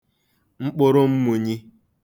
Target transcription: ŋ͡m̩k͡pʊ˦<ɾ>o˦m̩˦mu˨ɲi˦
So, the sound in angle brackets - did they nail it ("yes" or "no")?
yes